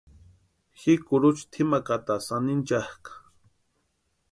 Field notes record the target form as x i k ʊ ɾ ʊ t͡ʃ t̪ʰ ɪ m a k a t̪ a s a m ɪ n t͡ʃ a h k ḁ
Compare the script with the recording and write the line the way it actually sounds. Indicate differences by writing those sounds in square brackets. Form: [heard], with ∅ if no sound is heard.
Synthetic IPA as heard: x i k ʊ ɾ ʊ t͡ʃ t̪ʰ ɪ m a k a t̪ a s a [n] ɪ n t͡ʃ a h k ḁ